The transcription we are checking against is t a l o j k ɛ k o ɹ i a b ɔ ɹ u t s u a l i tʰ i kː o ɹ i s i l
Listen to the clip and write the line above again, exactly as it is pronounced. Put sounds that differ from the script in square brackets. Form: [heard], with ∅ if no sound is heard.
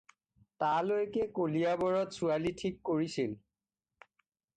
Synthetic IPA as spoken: t a l o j k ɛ k o [l] i a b ɔ ɹ [ɔ] t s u a l i tʰ i kː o ɹ i s i l